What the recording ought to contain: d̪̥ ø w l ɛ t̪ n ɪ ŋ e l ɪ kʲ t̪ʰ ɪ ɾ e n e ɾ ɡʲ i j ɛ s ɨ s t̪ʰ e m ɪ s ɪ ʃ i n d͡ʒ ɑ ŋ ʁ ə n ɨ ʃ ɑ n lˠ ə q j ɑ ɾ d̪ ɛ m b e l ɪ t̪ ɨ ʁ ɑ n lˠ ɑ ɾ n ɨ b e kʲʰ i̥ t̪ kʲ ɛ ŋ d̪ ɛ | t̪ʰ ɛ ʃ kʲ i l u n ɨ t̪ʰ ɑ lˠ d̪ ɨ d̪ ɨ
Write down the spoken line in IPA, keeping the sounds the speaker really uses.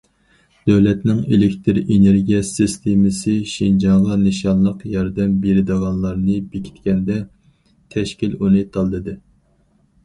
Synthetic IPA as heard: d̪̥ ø w l ɛ t̪ n ɪ ŋ e l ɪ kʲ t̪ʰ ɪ ɾ e n e ɾ ɡʲ i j ɛ s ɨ s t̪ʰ e m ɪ s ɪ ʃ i n d͡ʒ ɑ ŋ ʁ ɑ n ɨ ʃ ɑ n lˠ ə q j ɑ ɾ d̪ ɛ m b e ɾ ɪ d̪ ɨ ʁ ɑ n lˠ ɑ ɾ n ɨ b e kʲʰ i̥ t̪ kʲ ɛ n d̪ ɛ | t̪ʰ ɛ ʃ kʲ i l u n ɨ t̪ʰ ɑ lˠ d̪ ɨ d̪ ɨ